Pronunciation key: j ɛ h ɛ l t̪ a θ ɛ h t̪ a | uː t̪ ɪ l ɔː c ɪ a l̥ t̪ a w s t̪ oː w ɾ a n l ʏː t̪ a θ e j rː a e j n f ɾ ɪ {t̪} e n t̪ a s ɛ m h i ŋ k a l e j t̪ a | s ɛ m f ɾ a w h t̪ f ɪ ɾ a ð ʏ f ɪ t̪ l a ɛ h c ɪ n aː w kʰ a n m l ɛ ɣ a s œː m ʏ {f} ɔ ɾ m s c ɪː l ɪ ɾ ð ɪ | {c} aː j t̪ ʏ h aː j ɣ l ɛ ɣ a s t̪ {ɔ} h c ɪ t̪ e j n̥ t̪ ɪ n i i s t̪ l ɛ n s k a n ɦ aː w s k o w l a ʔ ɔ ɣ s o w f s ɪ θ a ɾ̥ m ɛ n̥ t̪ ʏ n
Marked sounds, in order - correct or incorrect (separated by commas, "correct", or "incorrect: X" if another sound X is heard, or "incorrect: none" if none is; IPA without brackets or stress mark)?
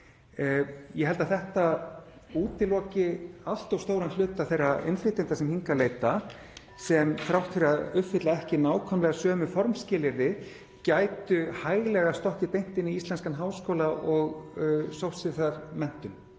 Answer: correct, correct, correct, correct